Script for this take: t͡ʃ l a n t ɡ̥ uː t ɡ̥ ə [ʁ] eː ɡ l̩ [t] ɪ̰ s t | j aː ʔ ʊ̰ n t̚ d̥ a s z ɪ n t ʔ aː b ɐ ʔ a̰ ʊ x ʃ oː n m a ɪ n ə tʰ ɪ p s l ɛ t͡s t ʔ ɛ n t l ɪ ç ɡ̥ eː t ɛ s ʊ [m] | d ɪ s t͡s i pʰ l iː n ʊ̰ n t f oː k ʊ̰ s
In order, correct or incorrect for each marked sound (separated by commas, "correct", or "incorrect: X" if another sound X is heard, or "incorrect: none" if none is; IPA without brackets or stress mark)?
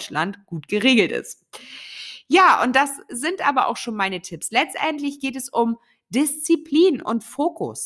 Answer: correct, correct, correct